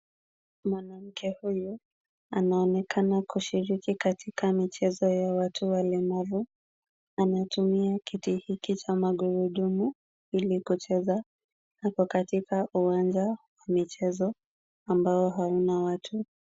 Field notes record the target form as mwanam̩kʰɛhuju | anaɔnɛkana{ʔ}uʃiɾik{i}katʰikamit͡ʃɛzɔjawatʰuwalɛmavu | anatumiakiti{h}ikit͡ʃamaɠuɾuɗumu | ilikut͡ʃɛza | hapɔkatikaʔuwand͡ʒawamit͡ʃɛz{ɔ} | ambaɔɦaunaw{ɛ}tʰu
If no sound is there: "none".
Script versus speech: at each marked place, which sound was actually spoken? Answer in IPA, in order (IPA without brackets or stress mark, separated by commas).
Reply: k, i, h, ɔ, a